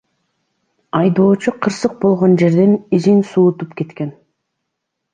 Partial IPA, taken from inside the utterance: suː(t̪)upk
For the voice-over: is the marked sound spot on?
yes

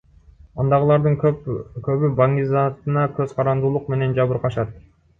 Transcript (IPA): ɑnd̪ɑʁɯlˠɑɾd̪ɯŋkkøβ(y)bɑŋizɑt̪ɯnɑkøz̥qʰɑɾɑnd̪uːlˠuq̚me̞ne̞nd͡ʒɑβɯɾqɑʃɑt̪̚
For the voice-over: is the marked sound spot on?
yes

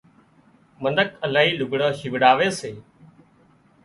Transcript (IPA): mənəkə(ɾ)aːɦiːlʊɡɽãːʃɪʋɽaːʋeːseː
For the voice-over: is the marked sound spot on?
no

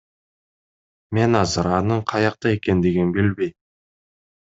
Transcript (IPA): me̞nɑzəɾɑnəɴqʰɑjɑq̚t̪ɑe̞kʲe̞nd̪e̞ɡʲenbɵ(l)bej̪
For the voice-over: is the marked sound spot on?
yes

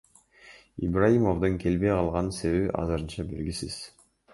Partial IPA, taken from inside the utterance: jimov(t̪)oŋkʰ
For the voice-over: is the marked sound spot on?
no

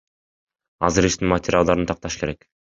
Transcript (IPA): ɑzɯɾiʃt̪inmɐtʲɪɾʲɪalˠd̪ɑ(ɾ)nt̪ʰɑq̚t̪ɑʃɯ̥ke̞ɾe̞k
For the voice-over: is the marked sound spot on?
yes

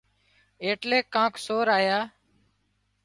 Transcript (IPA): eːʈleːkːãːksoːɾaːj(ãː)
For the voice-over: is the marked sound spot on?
no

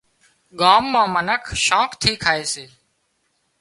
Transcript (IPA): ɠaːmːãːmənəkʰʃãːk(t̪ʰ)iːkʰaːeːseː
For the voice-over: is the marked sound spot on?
yes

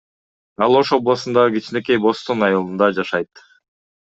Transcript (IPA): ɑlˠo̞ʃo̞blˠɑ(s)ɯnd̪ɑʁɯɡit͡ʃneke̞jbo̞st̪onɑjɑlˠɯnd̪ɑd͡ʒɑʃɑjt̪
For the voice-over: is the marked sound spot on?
yes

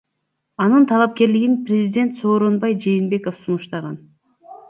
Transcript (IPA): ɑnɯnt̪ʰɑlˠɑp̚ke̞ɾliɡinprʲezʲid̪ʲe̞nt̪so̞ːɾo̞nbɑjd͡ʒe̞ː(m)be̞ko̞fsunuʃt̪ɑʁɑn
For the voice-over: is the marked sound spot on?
no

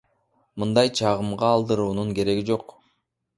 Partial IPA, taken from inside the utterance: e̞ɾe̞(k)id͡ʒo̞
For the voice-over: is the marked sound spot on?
no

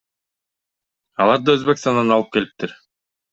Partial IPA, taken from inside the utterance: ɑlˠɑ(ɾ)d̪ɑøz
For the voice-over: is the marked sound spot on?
yes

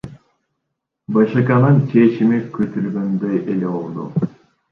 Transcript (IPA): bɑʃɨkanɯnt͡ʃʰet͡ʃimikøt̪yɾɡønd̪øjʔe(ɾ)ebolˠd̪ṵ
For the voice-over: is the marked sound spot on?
no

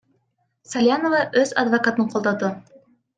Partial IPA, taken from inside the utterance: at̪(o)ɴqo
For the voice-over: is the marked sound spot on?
no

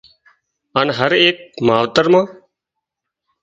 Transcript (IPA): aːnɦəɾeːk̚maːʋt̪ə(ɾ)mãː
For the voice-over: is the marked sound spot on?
yes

